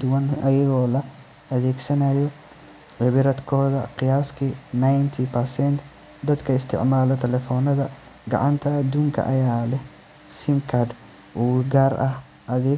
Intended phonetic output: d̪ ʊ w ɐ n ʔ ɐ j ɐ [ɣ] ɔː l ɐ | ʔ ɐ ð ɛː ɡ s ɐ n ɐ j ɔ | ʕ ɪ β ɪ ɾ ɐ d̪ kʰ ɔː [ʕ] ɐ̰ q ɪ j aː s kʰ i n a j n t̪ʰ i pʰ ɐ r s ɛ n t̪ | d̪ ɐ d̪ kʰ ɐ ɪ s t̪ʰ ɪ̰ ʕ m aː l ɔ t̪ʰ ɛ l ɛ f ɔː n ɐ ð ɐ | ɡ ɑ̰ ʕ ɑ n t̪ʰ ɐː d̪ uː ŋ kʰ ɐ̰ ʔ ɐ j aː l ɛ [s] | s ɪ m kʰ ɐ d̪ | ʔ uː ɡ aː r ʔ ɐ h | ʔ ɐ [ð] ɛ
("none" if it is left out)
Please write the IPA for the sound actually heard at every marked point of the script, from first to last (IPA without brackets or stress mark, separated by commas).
ɣ, ð, h, ð